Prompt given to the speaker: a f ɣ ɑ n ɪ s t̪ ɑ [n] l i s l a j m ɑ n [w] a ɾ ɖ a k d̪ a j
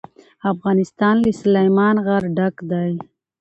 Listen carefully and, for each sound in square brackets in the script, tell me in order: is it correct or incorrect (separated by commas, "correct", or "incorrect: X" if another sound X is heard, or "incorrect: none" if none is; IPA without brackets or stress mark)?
correct, incorrect: ɣ